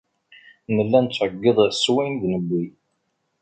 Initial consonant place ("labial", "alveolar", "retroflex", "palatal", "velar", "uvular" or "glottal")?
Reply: alveolar